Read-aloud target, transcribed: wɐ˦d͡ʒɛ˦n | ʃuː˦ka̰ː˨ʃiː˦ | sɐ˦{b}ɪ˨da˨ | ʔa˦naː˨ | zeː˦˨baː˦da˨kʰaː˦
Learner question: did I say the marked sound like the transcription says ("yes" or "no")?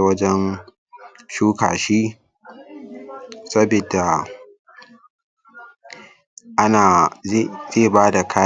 yes